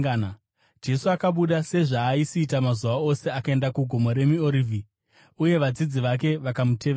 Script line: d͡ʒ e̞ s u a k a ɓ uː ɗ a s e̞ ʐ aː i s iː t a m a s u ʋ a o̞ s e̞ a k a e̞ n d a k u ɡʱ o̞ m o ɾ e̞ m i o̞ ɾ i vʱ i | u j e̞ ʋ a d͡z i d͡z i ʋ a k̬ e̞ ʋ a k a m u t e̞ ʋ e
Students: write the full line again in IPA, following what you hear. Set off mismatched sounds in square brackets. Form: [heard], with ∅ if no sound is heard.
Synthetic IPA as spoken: d͡ʒ e̞ s u a k a ɓ [u] ɗ a s e̞ ʐ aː i s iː t a m a [z] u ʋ a o̞ s e̞ a k a e̞ n d a k u ɡʱ o̞ m o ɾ e̞ m i o̞ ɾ i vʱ i | u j e̞ ʋ a d͡z i d͡z i ʋ a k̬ e̞ ʋ a k a m u t e̞ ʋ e

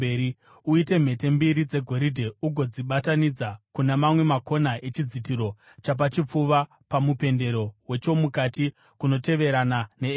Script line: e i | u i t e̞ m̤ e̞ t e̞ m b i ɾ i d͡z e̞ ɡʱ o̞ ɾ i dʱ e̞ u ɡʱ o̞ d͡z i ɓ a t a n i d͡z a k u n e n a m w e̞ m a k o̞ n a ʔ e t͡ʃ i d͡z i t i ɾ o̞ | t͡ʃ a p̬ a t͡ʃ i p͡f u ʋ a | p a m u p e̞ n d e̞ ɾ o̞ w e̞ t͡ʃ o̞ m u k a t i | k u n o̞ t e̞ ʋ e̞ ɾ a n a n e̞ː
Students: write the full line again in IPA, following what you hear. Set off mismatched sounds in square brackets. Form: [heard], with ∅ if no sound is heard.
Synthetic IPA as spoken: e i | u i t e̞ m̤ e̞ t e̞ m b i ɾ i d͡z e̞ ɡʱ o̞ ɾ i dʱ e̞ u ɡʱ o̞ d͡z i ɓ a t a n i d͡z a k u n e [m] a m w e̞ m a k o̞ n a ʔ e t͡ʃ i d͡z i t i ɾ o̞ | t͡ʃ a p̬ a t͡ʃ i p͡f u ʋ a | p a m u p e̞ n d e̞ ɾ o̞ w e̞ t͡ʃ o̞ m u k a t i | k u n o̞ t e̞ ʋ e̞ ɾ a n a n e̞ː

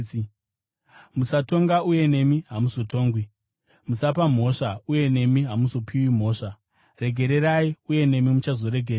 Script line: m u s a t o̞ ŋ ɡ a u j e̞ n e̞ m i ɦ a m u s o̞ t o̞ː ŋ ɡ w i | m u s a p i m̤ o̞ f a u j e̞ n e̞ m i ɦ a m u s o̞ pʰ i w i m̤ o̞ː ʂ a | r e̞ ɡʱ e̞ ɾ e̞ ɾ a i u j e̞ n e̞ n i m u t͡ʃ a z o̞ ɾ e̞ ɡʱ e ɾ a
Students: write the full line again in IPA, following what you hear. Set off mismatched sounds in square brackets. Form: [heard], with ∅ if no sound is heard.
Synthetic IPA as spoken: m u s a t o̞ ŋ ɡ a u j e̞ n e̞ m i ɦ a m u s o̞ t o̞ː ŋ ɡ w i | m u s a p [a] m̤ o̞ [ʂ] a u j e̞ n e̞ m i ɦ a m u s o̞ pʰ i w i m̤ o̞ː ʂ a | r e̞ ɡʱ e̞ ɾ e̞ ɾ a i u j e̞ n e̞ [m] i m u t͡ʃ a z o̞ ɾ e̞ ɡʱ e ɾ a

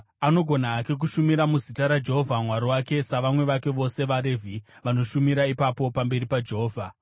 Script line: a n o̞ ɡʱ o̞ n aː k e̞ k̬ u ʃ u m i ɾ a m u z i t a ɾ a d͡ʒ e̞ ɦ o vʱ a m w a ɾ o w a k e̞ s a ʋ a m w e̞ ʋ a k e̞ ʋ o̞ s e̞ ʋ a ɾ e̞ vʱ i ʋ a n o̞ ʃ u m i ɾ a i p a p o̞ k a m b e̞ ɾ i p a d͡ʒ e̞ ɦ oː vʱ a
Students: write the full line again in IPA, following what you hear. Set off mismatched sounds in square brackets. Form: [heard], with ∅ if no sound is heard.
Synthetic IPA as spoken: a n o̞ ɡʱ o̞ n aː k e̞ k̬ u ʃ u m i ɾ a m u z i t a ɾ a d͡ʒ e̞ ɦ o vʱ a m w a ɾ o w a k e̞ s a ʋ a m w e̞ ʋ a k e̞ ʋ o̞ s e̞ ʋ a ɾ e̞ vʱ i ʋ a n o̞ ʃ u m i ɾ a i p a p o̞ [p] a m b e̞ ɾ i p a d͡ʒ e̞ ɦ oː vʱ a

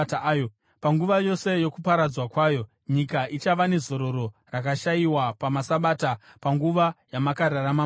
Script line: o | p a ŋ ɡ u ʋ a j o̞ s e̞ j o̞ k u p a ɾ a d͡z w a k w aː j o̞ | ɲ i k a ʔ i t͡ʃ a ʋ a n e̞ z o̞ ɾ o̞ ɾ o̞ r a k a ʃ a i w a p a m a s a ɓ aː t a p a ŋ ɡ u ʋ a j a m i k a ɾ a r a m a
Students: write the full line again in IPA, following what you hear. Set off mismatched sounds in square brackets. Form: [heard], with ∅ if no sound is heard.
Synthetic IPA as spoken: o | p a ŋ ɡ u ʋ a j o̞ s e̞ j o̞ k u p a ɾ a d͡z w a k w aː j o̞ | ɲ i k a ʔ i t͡ʃ a ʋ a n e̞ z o̞ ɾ o̞ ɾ o̞ r a k a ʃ a i w a p a m a s a ɓ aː t a p a ŋ ɡ u ʋ a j a m [a] k a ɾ a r a m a

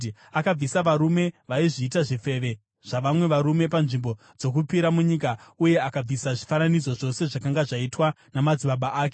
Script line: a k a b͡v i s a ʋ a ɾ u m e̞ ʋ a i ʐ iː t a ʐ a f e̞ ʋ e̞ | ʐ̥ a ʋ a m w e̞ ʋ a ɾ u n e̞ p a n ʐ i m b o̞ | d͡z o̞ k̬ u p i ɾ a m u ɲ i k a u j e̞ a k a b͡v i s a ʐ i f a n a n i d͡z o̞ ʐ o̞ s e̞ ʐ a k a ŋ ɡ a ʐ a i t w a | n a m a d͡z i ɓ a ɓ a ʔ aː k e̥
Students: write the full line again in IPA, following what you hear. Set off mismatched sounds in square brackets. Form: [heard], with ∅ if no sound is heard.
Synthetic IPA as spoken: a k a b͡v i s a ʋ a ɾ u m e̞ ʋ a i ʐ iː t a ʐ [i] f e̞ ʋ e̞ | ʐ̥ a ʋ a m w e̞ ʋ a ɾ u [m] e̞ p a n ʐ i m b o̞ | d͡z o̞ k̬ u p i ɾ a m u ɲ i k a u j e̞ a k a b͡v i s a ʐ i f a n a n i d͡z o̞ ʐ o̞ s e̞ ʐ a k a ŋ ɡ a ʐ a i t w a | n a m a d͡z i ɓ a ɓ a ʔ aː k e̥

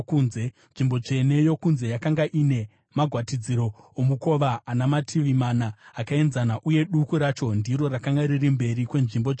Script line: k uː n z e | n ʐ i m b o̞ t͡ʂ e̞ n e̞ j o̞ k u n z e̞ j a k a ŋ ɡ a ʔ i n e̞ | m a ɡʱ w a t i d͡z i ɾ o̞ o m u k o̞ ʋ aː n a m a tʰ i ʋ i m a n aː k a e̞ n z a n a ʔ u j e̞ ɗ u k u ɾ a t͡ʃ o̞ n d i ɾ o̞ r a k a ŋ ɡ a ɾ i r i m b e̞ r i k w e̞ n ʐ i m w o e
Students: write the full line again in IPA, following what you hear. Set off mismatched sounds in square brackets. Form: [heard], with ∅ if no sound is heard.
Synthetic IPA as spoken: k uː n z e | n ʐ i m b o̞ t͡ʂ e̞ n e̞ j o̞ k u n z e̞ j a k a ŋ ɡ a ʔ i n e̞ | m a ɡʱ w a t i d͡z i ɾ o̞ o m u k o̞ ʋ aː n a m a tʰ i ʋ i m a n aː k a e̞ n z a n a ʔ u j e̞ ɗ u k u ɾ a t͡ʃ o̞ n d i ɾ o̞ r a k a ŋ ɡ a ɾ i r i m b e̞ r i k w e̞ n ʐ i m [b] o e

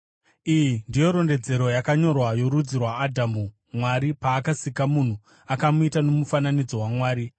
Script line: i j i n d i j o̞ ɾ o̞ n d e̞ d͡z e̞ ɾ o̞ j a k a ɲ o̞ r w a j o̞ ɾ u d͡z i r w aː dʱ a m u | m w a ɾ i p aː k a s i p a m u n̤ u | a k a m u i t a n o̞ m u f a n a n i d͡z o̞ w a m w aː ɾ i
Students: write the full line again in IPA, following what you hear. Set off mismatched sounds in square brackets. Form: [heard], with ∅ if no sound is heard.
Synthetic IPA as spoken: i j i n d i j o̞ ɾ o̞ n d e̞ d͡z e̞ ɾ o̞ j a k a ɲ o̞ r w a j o̞ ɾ u d͡z i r w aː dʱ a m u | m w a ɾ i p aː k a s i [k] a m u n̤ u | a k a m u i t a n o̞ m u f a n a n i d͡z o̞ w a m w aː ɾ i

